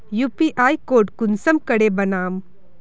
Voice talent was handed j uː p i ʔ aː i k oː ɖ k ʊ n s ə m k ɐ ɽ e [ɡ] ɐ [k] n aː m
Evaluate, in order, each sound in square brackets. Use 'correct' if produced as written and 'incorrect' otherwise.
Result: incorrect: b, incorrect: none

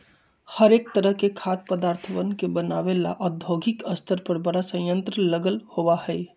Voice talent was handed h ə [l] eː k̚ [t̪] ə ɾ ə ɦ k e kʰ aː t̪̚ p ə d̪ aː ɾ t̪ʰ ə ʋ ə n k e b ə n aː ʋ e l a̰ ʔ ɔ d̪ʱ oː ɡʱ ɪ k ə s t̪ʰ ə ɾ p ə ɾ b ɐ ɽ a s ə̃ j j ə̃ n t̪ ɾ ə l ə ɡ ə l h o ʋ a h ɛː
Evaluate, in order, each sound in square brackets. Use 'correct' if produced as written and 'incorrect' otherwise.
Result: incorrect: ɾ, correct

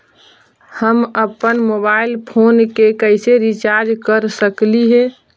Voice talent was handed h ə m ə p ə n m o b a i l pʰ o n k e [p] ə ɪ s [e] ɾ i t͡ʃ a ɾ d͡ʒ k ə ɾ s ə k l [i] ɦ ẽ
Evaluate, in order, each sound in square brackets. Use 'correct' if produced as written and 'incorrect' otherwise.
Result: incorrect: k, correct, correct

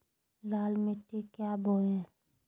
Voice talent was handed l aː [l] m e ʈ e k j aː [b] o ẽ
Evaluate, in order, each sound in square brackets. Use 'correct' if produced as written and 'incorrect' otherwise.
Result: correct, correct

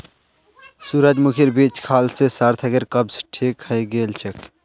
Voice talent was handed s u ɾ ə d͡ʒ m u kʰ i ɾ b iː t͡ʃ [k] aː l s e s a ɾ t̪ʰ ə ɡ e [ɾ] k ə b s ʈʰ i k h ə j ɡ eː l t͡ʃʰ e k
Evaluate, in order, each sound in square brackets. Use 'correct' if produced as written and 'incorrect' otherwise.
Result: incorrect: kʰ, correct

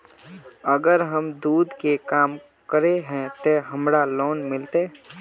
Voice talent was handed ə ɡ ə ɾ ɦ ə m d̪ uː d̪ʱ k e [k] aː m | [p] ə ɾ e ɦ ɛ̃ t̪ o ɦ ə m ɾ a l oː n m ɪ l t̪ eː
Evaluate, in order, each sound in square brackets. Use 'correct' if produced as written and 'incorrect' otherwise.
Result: correct, incorrect: k

